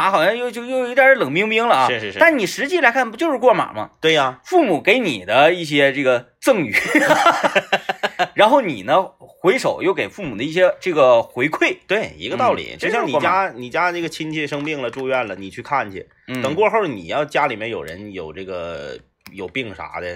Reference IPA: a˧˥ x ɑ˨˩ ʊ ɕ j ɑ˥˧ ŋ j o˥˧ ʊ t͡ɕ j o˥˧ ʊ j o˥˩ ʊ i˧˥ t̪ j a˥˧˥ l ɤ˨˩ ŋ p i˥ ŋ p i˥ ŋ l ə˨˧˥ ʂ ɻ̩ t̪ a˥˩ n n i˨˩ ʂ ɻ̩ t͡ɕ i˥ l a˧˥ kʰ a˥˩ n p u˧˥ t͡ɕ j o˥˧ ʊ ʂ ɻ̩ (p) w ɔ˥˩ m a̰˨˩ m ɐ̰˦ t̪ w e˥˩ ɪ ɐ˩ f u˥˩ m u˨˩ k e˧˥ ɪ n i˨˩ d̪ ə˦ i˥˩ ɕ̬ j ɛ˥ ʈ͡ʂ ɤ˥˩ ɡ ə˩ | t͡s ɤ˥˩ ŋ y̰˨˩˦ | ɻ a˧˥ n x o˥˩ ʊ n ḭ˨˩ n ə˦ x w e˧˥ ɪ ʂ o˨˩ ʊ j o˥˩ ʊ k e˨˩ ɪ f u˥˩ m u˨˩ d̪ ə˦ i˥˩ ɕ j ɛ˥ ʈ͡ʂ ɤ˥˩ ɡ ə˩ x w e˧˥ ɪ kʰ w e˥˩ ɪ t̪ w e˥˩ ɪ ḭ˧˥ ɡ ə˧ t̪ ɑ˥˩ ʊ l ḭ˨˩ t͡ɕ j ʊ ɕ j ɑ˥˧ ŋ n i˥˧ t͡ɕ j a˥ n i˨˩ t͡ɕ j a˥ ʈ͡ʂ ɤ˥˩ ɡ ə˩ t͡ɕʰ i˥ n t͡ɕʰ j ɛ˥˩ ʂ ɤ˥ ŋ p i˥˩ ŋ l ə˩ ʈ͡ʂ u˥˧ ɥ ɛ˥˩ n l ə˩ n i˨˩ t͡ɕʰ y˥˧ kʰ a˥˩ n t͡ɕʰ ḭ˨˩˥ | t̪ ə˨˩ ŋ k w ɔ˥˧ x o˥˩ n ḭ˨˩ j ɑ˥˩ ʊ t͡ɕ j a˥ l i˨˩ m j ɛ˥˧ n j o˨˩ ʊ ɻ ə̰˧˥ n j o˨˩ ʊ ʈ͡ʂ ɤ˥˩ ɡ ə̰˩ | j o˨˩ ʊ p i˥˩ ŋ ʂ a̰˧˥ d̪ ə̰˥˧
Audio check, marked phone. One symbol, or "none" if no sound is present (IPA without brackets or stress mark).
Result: k